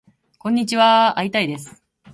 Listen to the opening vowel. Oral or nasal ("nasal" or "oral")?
nasal